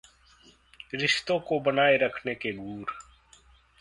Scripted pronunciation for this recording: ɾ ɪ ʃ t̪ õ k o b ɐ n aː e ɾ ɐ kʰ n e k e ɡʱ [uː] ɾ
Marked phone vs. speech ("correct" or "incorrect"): correct